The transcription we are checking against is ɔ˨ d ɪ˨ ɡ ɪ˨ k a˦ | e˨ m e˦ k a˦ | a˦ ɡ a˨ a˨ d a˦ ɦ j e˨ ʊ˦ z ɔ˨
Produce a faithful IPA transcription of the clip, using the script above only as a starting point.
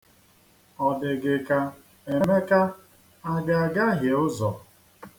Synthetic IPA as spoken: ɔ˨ d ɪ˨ ɡ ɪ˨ k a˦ | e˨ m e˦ k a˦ | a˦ ɡ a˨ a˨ ɡ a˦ ɦ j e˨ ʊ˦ z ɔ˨